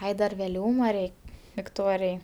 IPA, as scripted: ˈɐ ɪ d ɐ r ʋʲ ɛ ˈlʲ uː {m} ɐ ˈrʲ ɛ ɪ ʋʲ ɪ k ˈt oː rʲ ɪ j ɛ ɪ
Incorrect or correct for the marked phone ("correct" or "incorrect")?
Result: correct